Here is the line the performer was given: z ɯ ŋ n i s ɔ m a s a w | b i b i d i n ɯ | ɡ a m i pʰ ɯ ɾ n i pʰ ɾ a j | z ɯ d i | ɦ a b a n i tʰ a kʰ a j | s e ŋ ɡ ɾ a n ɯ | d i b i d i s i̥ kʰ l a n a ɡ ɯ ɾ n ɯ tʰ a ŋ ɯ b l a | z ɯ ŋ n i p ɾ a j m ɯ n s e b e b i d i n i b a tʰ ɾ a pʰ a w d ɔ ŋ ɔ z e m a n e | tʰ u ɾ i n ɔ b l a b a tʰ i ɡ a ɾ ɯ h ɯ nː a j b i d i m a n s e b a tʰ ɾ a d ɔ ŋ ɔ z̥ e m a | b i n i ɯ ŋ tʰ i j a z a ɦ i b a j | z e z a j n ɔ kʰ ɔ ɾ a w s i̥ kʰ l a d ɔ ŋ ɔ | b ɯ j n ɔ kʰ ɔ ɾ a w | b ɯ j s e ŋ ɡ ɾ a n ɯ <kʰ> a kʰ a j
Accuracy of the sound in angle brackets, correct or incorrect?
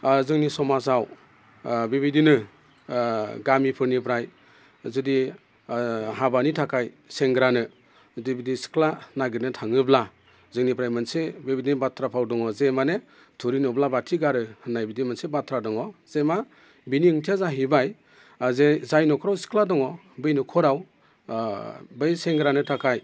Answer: incorrect: tʰ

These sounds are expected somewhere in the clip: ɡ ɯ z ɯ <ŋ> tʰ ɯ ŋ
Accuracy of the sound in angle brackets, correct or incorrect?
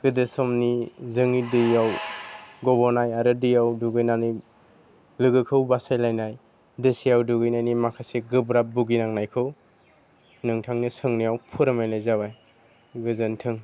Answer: incorrect: n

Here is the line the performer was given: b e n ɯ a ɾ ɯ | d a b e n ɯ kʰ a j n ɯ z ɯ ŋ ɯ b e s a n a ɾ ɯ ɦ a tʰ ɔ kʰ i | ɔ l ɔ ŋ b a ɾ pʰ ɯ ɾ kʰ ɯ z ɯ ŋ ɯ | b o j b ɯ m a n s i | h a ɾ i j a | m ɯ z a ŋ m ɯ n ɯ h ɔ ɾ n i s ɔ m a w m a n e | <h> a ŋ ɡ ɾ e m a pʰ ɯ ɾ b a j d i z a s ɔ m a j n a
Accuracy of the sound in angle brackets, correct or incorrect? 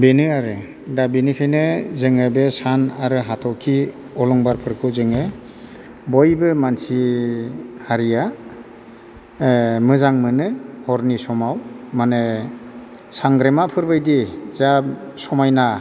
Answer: incorrect: s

